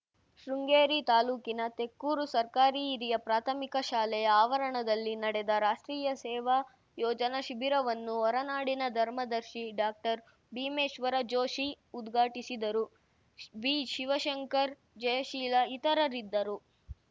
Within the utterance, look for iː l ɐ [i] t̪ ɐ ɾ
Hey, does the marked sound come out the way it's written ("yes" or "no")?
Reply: yes